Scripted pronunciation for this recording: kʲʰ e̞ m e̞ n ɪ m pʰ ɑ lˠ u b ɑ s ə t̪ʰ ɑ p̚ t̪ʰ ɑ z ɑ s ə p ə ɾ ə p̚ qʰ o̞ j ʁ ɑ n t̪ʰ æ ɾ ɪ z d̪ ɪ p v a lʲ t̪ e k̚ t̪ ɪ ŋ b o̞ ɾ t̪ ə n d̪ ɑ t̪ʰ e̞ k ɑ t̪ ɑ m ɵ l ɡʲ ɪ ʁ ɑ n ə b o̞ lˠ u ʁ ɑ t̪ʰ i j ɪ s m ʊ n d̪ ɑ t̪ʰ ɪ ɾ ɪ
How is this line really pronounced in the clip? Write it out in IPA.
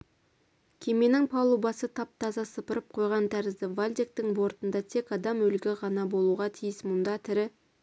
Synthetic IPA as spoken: kʲʰ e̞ m e̞ n ɪ ŋ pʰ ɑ lˠ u b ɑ s ə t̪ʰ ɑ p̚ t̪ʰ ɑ z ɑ s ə p ə ɾ ə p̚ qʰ o̞ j ʁ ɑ n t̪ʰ æ ɾ ɪ z d̪ ɪ v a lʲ d̪ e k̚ t̪ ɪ ŋ b o̞ ɾ t̪ ə n d̪ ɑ t̪ʰ e̞ k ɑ d̪ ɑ m ɵ l ɡʲ ɪ ʁ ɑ n ɑ b o̞ lˠ u ʁ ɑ t̪ʰ i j ɪ s m ʊ n d̪ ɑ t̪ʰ ɪ ɾ ɪ